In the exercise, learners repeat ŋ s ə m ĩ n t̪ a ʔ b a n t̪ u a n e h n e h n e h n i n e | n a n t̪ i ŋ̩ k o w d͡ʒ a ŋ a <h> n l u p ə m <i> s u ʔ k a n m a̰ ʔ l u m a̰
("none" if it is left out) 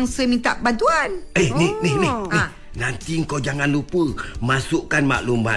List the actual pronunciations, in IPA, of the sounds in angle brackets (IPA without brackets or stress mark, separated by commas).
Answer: none, a